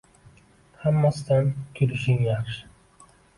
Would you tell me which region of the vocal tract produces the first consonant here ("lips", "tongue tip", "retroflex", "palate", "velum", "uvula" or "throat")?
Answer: throat